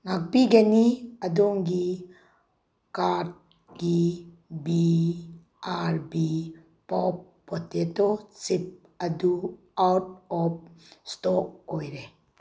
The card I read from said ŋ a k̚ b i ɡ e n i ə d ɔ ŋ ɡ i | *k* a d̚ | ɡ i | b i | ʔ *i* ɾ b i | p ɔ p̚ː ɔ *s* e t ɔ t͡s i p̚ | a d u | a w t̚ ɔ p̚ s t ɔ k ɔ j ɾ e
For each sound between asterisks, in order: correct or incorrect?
correct, incorrect, incorrect

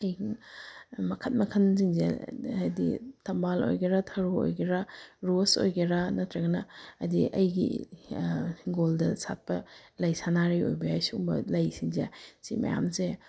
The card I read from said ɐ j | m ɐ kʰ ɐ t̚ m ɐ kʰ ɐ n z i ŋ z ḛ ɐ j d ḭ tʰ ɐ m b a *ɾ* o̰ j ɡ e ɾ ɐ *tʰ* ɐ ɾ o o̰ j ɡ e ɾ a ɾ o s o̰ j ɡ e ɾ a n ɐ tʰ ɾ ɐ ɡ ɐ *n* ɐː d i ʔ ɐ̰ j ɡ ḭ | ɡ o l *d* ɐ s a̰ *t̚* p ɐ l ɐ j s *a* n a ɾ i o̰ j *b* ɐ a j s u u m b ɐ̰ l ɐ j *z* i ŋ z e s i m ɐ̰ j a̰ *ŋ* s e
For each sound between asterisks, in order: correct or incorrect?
incorrect, correct, correct, correct, correct, correct, correct, incorrect, incorrect

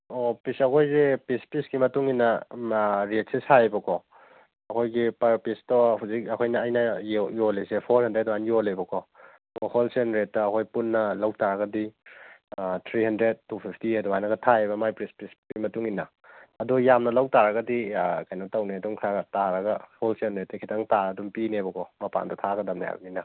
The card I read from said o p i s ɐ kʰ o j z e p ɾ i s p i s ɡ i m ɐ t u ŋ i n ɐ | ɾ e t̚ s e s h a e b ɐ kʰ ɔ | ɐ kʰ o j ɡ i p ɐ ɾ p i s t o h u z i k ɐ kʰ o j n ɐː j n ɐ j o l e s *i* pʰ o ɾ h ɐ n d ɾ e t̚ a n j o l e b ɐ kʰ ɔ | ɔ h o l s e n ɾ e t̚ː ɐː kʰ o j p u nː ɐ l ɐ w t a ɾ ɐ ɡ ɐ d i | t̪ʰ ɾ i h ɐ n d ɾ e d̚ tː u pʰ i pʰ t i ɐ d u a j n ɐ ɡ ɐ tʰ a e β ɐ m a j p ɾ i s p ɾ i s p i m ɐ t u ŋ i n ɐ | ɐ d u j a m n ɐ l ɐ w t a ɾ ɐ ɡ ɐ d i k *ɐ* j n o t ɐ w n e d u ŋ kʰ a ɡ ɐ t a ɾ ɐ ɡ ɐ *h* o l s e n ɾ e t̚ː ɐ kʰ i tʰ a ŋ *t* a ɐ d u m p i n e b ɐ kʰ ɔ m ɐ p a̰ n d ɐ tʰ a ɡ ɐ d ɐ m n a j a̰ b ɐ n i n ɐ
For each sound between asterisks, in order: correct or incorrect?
incorrect, incorrect, correct, correct

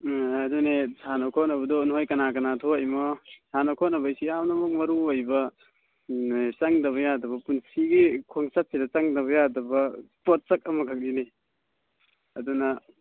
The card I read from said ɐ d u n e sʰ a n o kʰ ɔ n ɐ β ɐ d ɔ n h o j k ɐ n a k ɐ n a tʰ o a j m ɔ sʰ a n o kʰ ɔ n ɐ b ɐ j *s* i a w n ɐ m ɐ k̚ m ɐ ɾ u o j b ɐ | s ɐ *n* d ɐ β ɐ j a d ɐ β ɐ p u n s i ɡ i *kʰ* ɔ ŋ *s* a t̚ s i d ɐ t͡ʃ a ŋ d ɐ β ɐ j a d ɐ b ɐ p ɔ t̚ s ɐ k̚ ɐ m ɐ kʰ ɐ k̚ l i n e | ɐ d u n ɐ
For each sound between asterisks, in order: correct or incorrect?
correct, incorrect, correct, correct

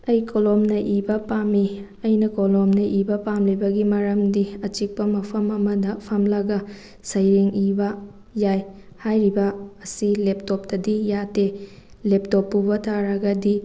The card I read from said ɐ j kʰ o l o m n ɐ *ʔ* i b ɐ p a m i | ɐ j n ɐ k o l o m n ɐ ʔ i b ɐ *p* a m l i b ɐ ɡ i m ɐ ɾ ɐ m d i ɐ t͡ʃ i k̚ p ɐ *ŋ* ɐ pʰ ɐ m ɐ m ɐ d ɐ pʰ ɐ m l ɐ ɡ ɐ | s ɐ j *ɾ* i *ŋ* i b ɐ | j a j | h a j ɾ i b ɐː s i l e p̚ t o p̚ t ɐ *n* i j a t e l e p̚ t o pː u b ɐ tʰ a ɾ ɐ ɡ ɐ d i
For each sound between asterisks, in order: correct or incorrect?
correct, correct, incorrect, correct, correct, incorrect

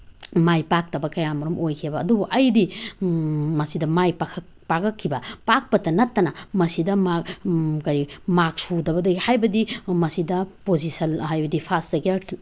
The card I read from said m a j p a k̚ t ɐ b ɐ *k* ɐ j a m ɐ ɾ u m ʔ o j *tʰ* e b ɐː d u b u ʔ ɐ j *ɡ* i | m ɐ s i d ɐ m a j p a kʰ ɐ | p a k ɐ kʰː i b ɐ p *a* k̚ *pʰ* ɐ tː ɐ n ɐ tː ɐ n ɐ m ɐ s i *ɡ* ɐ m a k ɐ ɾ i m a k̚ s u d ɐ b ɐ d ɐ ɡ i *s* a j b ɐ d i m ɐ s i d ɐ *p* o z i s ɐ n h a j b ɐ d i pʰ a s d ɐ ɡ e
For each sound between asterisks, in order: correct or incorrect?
correct, incorrect, incorrect, correct, incorrect, incorrect, incorrect, correct

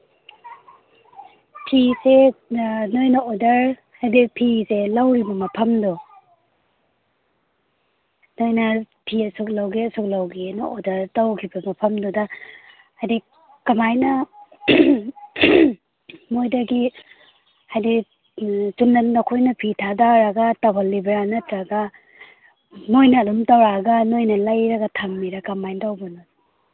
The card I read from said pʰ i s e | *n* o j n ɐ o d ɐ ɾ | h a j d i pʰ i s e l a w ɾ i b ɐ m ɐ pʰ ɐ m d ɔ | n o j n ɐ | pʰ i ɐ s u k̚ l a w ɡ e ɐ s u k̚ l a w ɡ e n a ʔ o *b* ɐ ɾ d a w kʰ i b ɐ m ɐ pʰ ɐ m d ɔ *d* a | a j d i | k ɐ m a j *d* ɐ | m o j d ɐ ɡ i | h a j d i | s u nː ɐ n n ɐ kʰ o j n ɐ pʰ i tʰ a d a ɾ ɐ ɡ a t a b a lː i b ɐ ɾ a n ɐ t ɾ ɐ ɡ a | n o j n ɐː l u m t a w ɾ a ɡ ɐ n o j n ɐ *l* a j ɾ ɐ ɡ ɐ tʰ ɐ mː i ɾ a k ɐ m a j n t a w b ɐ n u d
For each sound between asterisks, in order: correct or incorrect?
correct, incorrect, correct, incorrect, correct

